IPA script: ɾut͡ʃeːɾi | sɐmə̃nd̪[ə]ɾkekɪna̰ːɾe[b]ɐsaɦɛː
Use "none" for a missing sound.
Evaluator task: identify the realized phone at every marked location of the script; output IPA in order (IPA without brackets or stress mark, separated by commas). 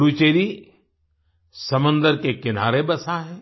ə, b